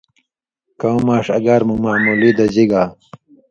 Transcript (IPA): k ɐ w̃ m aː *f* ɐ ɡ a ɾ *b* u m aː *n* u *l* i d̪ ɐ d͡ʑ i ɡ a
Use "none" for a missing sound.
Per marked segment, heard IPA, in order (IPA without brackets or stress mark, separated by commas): ʂ, m, m, l